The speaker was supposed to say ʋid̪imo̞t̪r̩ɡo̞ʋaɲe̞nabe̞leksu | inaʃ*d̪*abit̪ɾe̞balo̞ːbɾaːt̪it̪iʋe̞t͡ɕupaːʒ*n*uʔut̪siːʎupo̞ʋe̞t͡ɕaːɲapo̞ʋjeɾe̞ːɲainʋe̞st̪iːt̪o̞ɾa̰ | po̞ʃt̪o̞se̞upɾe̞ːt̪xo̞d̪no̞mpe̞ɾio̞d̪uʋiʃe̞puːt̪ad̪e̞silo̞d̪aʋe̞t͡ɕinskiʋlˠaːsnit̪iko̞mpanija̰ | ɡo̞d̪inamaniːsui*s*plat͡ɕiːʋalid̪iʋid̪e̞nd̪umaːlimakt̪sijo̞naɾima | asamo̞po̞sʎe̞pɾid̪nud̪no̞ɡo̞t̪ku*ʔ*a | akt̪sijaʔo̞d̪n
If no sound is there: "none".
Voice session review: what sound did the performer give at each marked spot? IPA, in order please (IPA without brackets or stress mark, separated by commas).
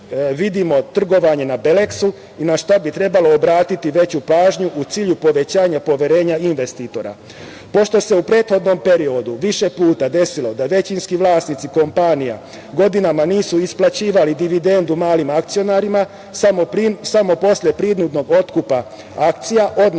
t̪, ɲ, s, p